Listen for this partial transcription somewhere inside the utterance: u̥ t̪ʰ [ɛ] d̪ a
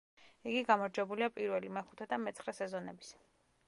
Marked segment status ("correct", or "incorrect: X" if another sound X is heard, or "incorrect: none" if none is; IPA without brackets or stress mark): correct